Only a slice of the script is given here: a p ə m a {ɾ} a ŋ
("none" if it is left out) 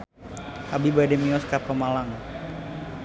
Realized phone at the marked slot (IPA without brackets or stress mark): l